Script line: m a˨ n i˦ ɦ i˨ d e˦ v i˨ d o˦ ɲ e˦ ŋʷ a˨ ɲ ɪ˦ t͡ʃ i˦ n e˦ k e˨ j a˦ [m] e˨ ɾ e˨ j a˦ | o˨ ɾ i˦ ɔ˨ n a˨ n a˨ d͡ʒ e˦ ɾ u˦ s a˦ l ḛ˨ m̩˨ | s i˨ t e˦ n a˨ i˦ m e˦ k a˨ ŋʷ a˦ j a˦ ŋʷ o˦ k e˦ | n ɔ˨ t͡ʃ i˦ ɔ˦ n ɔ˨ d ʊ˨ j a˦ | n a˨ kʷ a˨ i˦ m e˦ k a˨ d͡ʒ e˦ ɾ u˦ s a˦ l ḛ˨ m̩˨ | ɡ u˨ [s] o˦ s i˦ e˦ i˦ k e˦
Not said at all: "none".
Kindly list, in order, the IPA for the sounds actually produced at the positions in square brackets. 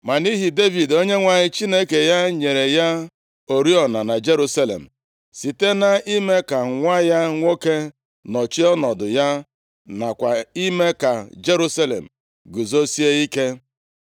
ɲ, z

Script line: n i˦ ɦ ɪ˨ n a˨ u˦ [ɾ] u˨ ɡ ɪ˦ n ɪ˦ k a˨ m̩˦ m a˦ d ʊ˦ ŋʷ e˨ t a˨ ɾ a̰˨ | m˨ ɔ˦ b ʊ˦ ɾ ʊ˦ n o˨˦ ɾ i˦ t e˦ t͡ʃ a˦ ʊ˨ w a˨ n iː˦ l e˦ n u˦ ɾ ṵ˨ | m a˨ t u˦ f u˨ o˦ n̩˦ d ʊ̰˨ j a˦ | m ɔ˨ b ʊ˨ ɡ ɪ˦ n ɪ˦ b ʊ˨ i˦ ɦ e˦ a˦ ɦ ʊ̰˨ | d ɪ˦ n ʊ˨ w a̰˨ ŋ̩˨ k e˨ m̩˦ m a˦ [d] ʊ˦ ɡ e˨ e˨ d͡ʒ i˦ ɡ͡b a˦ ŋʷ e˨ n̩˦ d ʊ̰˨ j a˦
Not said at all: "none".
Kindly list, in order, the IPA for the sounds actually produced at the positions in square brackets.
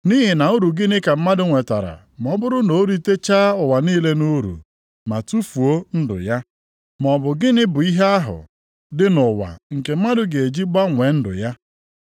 ɾ, d

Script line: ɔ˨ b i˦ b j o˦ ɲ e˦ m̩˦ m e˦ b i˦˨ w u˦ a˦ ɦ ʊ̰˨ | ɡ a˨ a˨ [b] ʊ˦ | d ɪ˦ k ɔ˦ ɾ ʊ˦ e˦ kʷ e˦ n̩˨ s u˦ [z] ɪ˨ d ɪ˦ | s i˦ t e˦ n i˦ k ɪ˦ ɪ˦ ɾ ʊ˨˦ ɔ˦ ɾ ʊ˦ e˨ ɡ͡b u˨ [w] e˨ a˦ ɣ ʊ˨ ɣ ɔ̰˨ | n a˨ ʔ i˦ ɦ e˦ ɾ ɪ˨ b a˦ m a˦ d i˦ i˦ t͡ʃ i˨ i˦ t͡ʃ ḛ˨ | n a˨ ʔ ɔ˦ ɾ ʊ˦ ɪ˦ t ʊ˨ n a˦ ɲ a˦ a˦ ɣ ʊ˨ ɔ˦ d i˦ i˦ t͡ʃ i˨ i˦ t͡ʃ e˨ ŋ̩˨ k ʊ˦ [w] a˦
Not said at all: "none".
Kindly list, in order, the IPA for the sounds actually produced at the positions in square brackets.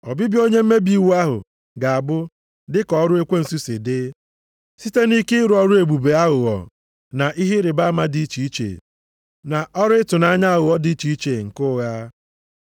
b, s, b, ɣ

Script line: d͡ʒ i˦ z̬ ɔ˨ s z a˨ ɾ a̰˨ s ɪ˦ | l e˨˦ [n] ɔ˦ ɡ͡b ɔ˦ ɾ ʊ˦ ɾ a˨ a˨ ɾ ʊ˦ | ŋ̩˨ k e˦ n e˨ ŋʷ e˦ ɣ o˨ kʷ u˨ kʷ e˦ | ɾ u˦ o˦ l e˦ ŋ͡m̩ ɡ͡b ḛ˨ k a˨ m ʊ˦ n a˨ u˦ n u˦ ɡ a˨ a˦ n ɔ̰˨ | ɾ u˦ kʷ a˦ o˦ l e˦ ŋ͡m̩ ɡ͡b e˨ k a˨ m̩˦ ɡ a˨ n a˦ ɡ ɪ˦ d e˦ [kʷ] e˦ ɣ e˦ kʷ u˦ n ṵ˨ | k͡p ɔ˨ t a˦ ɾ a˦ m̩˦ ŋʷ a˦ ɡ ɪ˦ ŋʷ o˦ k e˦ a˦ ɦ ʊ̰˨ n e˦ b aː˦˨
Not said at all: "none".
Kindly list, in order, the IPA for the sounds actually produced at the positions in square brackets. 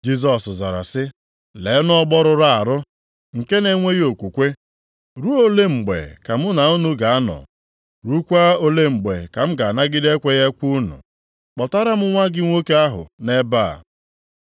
n, kʷ

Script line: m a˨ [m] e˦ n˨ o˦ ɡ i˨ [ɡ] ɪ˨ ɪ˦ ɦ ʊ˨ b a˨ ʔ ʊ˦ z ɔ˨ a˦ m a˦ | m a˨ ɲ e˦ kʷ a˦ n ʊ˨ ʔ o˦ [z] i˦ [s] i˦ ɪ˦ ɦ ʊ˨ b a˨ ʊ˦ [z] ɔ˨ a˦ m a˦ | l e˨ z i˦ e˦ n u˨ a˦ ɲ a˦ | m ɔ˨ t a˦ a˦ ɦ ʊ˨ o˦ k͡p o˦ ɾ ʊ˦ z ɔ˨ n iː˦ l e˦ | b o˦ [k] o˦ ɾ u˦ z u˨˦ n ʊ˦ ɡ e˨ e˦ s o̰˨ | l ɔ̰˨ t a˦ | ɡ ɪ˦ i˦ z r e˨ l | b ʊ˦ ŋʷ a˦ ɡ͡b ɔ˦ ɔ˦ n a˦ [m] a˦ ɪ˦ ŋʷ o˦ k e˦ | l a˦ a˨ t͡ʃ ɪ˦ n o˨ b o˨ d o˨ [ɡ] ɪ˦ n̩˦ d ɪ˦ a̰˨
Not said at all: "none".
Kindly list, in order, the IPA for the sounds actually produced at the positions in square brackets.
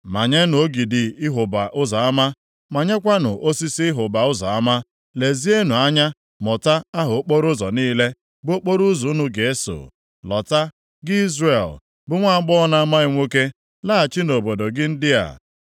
ɲ, d, s, s, z, k͡p, m, ɡ

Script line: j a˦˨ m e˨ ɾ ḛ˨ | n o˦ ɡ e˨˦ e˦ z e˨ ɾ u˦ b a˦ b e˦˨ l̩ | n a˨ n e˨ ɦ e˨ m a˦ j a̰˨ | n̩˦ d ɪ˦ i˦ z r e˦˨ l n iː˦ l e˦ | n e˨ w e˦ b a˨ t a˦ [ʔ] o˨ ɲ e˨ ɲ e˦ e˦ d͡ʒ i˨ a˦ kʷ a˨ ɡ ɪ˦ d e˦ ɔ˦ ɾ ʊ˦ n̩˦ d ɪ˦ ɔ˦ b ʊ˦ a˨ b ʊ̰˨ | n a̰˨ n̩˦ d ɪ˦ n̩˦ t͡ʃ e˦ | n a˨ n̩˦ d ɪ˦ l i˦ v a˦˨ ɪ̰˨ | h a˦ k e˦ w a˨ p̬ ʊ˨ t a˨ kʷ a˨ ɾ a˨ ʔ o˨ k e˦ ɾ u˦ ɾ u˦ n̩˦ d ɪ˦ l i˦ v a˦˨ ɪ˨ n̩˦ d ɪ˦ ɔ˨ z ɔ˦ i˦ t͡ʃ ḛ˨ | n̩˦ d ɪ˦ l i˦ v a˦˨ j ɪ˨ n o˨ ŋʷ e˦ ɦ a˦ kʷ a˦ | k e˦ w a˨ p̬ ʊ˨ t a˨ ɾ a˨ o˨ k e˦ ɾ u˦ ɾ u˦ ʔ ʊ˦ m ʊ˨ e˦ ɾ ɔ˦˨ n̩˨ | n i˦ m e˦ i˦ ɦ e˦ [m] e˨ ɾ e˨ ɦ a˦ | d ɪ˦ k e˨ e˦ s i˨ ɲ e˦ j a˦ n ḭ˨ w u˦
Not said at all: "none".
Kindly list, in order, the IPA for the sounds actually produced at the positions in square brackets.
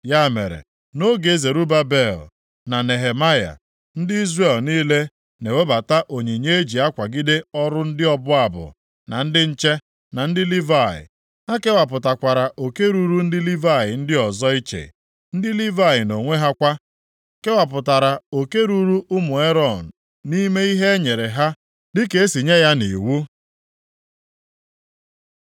ʔ, ɲ

